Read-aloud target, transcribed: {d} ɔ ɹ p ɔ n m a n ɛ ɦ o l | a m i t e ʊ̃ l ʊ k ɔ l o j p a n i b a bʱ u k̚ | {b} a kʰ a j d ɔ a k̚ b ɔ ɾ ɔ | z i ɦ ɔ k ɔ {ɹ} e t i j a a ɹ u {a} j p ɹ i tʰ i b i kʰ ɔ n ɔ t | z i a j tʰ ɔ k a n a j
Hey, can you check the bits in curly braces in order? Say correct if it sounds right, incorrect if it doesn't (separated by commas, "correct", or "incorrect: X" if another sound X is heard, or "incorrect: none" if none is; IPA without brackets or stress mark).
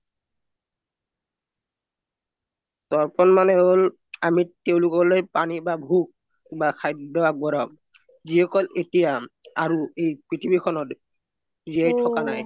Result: incorrect: t, correct, incorrect: l, incorrect: e